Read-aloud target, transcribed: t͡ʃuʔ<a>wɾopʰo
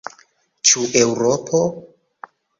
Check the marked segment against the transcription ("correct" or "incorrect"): incorrect